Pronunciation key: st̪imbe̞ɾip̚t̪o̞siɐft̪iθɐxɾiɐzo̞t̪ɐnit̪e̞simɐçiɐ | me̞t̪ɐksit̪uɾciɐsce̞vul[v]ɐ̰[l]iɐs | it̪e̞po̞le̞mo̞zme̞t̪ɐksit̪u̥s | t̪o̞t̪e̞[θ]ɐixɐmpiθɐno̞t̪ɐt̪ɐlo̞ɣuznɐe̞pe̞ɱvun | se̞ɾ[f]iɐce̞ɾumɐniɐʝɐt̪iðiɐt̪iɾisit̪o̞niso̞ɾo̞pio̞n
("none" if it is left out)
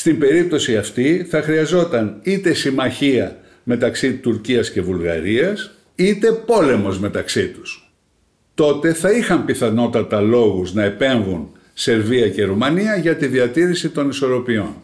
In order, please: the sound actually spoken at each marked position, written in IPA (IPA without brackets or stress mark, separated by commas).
ɣ, ɾ, θ, v